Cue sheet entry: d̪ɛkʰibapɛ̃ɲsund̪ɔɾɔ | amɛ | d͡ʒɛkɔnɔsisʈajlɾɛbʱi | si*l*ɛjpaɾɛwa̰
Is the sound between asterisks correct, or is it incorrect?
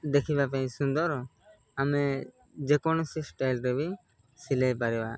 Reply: correct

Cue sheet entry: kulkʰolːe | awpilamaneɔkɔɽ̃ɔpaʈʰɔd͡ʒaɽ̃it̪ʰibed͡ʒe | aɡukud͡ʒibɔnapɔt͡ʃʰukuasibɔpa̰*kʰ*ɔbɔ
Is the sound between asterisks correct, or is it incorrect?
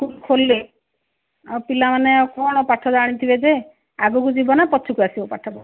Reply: incorrect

